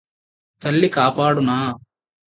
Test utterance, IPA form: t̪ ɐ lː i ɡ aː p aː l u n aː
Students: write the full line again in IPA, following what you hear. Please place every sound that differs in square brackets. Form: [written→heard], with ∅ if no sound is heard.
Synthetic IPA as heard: t̪ ɐ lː i [ɡ→k] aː p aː [l→ɽ] u n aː